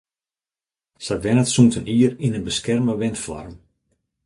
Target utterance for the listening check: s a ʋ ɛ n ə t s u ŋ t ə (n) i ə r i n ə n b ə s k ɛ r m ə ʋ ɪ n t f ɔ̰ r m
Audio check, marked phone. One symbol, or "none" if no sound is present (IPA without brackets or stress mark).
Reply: n